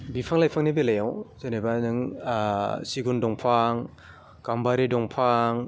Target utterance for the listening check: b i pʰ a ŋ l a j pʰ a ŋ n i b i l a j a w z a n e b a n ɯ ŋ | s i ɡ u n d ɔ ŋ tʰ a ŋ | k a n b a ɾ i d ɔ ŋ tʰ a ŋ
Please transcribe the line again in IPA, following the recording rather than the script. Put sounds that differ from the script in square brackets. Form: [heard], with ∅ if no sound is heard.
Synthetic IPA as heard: b i pʰ a ŋ l a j pʰ a ŋ n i b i l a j a w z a n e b a n ɯ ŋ | s i ɡ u n d ɔ ŋ [pʰ] a ŋ | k a [m] b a ɾ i d ɔ ŋ [pʰ] a ŋ